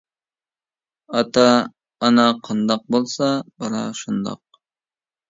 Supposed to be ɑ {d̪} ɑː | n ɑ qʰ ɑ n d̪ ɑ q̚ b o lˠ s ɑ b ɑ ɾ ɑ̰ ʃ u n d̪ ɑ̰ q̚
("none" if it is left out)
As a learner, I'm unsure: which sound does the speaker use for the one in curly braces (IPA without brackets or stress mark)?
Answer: t̪